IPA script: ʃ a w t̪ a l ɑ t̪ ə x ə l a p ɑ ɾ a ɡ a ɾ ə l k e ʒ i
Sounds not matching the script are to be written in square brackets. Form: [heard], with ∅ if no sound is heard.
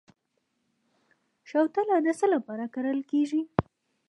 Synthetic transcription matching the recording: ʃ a w t̪ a l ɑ [d̪] ə [s] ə l a p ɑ ɾ a [k] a ɾ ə l k e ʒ i